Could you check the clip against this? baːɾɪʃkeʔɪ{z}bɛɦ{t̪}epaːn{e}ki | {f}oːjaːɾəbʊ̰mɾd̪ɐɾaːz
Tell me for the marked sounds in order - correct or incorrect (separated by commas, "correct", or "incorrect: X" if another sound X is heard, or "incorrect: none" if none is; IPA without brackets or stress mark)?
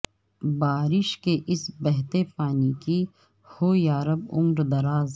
incorrect: s, correct, incorrect: i, incorrect: h